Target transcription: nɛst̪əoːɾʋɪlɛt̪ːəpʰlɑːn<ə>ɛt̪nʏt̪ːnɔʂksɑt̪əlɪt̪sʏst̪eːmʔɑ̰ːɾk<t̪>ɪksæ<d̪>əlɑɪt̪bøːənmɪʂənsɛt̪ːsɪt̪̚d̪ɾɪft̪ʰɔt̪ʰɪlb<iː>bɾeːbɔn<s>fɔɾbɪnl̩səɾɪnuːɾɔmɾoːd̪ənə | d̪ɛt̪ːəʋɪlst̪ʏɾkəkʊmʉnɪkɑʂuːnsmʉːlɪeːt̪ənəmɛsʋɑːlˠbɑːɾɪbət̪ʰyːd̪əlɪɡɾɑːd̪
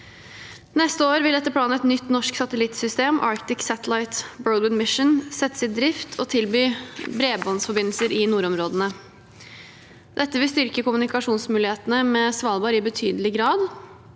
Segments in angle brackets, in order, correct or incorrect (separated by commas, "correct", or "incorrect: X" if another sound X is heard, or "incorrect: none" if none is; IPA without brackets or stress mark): correct, correct, incorrect: t̪, incorrect: yː, correct